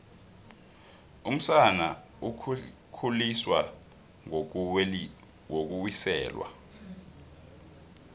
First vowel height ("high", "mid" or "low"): high